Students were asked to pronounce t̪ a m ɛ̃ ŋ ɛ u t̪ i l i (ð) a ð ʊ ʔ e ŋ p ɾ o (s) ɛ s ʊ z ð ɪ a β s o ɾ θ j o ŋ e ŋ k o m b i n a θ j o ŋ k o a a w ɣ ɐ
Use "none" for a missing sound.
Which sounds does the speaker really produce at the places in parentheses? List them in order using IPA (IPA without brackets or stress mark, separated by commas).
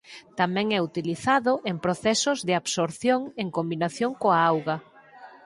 θ, θ